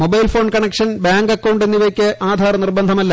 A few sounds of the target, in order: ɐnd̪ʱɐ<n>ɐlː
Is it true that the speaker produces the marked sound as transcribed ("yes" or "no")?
no